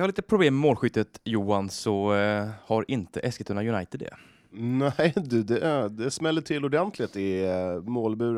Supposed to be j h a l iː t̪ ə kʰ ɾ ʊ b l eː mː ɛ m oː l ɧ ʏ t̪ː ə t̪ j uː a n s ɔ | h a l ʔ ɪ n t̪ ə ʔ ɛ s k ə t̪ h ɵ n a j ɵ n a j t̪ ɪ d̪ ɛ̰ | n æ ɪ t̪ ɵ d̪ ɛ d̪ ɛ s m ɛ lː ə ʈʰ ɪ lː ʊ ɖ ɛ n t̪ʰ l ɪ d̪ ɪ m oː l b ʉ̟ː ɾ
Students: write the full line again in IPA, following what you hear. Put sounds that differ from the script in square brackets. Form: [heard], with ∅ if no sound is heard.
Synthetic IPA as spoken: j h a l iː t̪ ə [pʰ] ɾ ʊ b l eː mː ɛ m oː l ɧ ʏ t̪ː ə t̪ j uː a n s ɔ | h a [ɾ] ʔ ɪ n t̪ ə ʔ ɛ s k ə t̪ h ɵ n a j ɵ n a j t̪ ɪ d̪ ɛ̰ | n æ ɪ [d̪] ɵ d̪ ɛ d̪ ɛ s m ɛ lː ə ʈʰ ɪ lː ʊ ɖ ɛ n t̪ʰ l ɪ [t̪] ɪ m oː l b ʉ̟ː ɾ